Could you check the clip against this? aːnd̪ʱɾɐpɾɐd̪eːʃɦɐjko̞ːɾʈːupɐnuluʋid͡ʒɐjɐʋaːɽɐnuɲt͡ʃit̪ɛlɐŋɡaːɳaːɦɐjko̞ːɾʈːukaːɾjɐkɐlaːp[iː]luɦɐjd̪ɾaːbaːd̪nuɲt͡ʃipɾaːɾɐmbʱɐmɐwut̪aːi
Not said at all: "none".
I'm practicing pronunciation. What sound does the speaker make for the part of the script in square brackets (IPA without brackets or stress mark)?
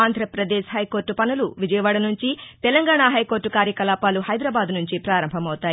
aː